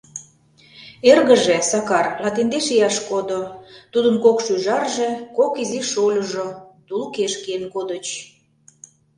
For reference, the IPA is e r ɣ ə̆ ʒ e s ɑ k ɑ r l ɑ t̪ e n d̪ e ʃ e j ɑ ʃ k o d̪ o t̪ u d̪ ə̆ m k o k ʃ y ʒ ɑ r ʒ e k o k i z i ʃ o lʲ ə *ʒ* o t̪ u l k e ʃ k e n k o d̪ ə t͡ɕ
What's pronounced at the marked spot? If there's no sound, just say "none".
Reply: ʒ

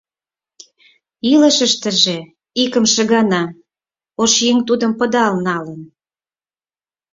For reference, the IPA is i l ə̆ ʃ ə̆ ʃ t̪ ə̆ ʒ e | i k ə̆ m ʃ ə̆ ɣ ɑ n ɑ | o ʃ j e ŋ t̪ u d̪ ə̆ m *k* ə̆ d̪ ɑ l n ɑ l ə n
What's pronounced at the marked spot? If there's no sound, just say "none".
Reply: p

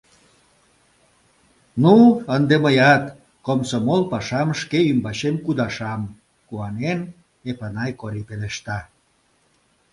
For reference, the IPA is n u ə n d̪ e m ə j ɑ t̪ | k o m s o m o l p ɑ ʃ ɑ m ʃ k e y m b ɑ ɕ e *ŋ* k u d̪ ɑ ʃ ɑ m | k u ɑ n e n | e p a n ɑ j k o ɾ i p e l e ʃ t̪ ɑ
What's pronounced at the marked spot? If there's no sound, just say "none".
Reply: m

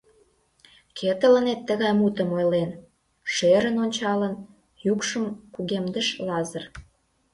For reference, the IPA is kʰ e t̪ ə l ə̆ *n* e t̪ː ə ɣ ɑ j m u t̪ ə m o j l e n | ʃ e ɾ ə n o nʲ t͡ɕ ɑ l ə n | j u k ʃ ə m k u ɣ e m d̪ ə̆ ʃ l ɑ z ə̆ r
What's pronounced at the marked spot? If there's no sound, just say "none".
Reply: n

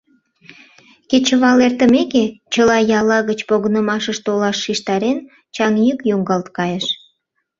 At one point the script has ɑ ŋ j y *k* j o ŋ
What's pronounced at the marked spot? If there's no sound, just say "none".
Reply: k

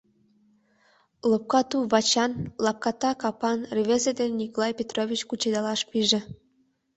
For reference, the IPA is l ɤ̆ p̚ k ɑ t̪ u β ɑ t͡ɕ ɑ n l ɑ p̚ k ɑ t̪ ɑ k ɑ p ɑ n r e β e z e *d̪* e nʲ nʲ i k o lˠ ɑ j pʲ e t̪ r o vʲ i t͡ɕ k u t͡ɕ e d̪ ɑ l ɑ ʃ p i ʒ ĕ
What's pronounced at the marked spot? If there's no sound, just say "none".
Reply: d̪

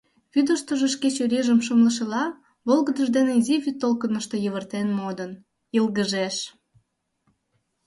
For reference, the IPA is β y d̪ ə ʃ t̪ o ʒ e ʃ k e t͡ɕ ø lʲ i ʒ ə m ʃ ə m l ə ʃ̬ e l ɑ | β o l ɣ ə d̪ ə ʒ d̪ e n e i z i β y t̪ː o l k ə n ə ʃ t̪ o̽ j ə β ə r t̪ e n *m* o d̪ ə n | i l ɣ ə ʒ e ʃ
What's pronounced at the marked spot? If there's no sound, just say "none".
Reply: m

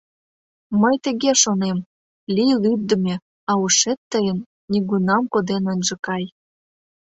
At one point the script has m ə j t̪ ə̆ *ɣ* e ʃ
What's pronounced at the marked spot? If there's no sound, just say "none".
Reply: ɣ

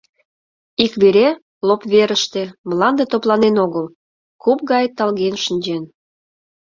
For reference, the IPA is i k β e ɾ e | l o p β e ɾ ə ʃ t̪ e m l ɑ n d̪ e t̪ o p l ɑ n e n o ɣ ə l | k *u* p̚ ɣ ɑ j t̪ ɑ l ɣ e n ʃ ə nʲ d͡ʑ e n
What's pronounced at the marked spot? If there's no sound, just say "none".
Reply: u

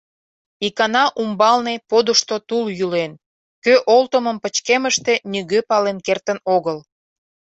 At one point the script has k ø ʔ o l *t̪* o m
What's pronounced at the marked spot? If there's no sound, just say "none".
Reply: t̪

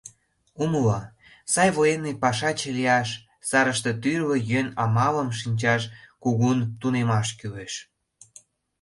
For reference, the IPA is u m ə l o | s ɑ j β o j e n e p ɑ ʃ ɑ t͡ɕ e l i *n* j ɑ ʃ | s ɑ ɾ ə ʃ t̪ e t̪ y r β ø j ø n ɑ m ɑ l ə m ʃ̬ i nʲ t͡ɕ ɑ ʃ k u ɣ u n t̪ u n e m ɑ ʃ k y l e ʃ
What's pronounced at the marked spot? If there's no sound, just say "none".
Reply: none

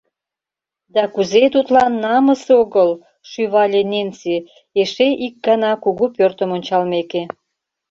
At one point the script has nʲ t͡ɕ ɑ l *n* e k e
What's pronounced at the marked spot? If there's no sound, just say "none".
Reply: m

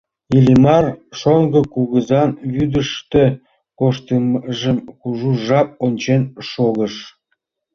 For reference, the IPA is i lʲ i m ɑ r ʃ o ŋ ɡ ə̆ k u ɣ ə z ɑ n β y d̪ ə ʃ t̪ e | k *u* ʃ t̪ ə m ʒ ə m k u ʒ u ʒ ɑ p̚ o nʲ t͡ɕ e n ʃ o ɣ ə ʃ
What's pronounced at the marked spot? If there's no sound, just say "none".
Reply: o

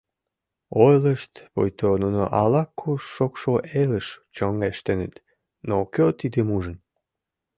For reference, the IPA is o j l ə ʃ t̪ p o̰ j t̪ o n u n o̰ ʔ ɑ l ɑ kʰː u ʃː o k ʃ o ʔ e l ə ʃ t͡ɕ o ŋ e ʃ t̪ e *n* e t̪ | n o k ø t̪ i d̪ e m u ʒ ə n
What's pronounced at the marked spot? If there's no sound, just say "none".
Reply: n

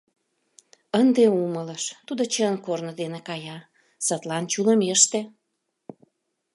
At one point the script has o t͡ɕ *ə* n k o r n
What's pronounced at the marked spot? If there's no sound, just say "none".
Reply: ə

